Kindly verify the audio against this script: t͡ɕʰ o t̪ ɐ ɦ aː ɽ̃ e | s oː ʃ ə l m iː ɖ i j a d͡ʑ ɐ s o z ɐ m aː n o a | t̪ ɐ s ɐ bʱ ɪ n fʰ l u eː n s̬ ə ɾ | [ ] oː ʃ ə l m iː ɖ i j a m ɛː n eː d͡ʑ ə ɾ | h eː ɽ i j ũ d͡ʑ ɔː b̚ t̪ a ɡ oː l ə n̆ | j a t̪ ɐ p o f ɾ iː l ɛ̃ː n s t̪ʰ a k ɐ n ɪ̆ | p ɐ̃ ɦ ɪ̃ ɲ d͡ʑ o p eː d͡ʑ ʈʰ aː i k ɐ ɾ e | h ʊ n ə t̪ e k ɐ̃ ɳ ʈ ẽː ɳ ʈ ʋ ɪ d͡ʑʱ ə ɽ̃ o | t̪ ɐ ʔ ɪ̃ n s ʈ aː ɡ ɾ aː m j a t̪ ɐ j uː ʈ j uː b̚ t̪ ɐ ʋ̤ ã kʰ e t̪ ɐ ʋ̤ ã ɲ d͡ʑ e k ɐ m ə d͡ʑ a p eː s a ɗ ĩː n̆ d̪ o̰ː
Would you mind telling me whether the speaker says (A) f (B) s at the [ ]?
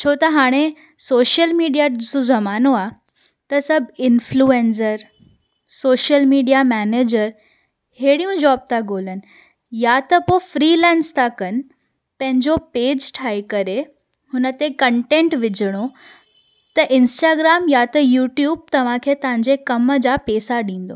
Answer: B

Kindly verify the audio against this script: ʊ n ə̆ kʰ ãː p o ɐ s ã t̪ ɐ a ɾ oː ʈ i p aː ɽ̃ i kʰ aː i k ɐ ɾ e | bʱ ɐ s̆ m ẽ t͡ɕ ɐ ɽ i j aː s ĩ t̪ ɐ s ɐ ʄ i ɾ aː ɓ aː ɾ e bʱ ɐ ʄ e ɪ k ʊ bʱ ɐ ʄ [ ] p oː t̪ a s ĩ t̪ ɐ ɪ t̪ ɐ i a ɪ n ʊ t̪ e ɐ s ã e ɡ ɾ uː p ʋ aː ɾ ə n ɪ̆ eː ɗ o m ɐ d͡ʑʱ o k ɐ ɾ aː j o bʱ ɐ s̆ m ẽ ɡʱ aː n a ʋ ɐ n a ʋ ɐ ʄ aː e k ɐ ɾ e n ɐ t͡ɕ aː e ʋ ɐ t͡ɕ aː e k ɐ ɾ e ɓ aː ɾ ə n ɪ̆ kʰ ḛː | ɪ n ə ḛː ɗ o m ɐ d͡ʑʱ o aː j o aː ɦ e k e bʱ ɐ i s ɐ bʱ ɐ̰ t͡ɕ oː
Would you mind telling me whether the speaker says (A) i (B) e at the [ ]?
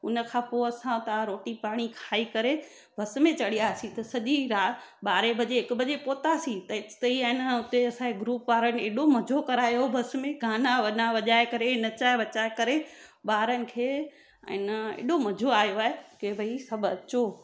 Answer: B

